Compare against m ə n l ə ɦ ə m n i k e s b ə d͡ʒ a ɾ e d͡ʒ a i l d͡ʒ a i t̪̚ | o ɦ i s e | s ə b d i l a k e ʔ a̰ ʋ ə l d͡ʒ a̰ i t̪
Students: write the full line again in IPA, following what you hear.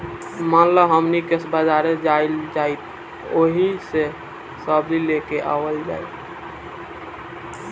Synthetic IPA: m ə n l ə ɦ ə m n i k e s b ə d͡ʒ a ɾ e d͡ʒ a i l d͡ʒ a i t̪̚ | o ɦ i s e | s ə b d i l e k e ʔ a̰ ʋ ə l d͡ʒ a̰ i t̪